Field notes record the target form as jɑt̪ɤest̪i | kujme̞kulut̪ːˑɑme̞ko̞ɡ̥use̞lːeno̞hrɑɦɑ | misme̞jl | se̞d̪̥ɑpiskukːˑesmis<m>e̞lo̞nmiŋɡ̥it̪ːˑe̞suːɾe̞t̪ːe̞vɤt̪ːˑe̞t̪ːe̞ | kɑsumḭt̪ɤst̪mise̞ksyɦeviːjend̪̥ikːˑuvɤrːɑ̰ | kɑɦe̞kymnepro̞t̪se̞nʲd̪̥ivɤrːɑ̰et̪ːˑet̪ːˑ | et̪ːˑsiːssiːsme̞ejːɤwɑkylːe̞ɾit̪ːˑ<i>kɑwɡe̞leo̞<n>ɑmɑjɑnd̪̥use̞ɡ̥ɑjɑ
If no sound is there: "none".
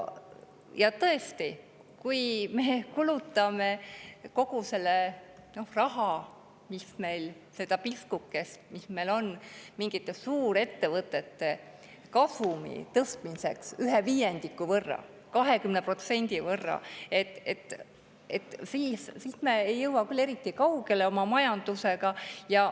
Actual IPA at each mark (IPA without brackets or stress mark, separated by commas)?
m, i, m